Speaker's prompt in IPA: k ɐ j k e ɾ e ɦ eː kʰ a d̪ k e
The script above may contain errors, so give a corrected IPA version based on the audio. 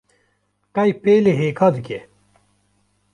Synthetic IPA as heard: k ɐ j p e l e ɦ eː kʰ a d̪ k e